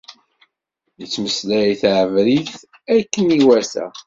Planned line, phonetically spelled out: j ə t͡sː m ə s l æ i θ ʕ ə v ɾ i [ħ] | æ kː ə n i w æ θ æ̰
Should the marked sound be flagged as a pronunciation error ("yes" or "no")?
yes